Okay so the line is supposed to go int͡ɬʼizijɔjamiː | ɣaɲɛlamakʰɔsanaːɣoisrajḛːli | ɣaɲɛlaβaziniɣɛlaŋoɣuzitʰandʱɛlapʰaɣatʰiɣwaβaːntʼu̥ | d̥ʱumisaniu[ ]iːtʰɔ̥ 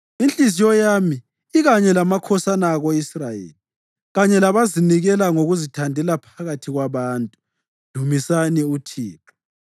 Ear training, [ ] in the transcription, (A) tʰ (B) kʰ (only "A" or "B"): A